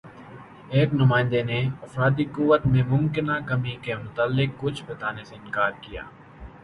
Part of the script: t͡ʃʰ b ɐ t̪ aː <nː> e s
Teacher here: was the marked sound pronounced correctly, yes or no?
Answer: no